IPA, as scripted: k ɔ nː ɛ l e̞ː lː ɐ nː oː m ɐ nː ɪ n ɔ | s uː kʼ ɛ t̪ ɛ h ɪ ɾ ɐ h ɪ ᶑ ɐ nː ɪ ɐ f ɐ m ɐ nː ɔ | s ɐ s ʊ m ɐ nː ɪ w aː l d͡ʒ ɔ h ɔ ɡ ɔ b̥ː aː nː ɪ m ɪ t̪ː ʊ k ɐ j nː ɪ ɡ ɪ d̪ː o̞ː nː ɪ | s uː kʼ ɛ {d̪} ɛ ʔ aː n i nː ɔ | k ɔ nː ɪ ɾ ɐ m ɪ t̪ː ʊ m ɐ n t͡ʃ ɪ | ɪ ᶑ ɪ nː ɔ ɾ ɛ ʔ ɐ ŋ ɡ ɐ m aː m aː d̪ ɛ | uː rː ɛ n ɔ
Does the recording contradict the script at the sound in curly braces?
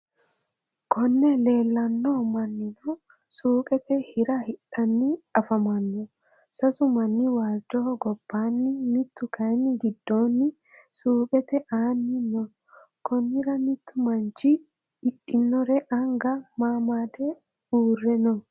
yes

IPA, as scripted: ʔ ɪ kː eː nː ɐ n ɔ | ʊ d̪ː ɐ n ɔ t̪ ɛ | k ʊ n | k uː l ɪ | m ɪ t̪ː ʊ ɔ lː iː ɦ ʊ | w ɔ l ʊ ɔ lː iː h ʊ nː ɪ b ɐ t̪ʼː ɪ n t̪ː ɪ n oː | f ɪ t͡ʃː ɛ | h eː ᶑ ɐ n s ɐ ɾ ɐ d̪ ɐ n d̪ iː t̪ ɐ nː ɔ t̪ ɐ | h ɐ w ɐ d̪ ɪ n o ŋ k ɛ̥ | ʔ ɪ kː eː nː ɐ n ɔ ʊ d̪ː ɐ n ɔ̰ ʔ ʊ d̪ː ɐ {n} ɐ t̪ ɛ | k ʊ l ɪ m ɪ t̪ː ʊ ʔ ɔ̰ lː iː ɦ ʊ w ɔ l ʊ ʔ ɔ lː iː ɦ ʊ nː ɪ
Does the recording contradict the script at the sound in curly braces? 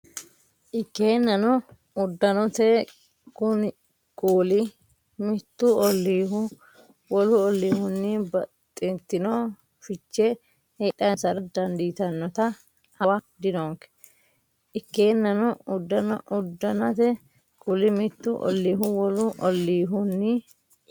no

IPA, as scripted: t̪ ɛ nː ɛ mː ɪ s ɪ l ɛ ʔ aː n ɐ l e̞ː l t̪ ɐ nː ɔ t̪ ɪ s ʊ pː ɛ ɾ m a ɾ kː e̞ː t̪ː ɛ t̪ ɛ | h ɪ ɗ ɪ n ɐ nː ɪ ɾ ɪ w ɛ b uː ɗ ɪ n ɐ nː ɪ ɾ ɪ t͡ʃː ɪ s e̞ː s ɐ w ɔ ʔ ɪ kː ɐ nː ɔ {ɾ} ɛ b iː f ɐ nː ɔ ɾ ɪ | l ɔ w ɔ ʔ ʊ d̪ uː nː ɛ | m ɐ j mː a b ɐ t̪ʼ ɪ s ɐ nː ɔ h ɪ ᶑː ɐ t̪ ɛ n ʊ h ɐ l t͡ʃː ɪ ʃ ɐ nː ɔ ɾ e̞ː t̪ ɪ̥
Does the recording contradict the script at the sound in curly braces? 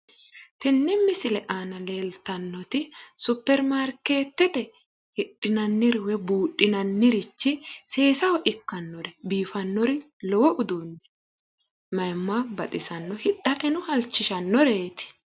no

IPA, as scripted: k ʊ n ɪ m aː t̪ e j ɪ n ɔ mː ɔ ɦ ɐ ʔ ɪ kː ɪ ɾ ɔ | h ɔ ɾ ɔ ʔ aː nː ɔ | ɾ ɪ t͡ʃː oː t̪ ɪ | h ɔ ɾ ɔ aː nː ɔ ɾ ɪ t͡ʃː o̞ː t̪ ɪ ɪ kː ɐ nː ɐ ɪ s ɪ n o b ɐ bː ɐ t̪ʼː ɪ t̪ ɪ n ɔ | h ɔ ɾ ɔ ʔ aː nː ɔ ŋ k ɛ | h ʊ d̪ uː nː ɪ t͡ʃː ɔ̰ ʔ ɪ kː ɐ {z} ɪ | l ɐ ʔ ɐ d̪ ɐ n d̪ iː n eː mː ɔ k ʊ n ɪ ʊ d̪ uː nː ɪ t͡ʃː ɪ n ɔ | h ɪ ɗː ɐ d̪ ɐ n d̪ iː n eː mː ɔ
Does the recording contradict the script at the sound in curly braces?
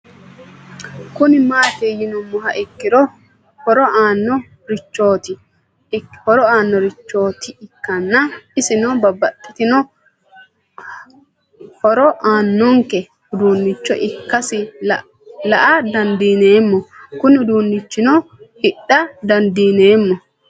yes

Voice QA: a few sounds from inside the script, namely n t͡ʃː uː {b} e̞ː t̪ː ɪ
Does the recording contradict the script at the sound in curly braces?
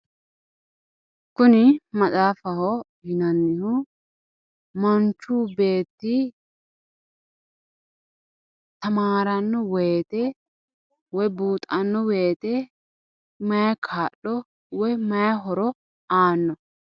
no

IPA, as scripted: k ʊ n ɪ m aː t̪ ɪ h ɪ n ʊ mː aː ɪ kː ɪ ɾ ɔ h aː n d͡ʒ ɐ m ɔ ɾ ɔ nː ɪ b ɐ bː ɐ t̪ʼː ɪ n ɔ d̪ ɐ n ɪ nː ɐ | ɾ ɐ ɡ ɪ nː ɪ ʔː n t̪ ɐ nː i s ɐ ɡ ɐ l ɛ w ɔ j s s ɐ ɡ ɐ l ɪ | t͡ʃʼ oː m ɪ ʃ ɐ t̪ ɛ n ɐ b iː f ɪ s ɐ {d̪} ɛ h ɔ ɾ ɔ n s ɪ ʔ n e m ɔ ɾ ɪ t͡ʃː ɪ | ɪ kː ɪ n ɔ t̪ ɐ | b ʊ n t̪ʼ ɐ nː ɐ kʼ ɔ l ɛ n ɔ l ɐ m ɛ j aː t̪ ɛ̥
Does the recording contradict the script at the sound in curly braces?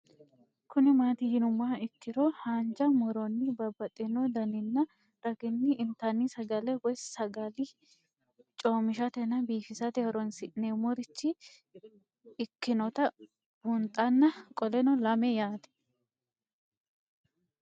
yes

